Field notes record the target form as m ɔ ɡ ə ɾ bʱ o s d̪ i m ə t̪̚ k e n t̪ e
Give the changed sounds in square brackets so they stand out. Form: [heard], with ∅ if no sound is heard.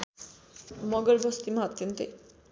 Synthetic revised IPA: m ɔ ɡ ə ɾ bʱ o s [t̪] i m [a] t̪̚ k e n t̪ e